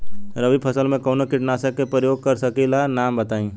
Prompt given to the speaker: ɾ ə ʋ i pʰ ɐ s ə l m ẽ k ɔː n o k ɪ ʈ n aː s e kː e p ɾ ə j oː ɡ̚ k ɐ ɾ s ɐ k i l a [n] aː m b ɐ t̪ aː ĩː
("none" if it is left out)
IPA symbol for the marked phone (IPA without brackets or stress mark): n